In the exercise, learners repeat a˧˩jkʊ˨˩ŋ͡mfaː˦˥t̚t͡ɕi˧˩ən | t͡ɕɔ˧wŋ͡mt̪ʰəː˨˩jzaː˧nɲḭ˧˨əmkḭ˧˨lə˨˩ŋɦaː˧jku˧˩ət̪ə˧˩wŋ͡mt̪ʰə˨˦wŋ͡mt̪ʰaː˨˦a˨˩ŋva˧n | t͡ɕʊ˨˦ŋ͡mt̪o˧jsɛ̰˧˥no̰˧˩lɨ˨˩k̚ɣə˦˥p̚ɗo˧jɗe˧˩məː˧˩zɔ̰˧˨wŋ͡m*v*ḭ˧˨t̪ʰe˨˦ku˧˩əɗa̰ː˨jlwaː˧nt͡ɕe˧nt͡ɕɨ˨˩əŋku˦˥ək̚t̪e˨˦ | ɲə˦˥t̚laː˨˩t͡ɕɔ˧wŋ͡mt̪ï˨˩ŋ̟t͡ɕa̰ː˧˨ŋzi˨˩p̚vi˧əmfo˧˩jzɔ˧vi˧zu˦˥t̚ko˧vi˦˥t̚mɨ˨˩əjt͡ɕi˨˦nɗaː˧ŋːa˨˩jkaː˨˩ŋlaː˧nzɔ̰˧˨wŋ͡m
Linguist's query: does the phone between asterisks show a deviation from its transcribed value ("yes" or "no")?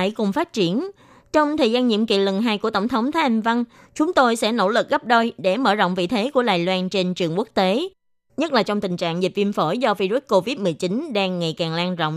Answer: no